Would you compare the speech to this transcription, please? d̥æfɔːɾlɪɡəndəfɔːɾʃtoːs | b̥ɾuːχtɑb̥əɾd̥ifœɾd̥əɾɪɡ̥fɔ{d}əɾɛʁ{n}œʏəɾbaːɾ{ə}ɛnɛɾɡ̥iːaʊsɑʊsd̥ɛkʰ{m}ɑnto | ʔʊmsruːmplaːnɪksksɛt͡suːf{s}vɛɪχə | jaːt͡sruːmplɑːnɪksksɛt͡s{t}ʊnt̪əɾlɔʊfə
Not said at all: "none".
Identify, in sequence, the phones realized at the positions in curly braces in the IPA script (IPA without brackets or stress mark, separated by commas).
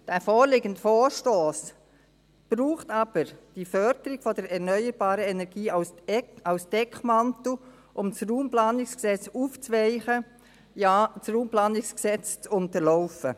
d, n, ə, m, t͡s, t͡s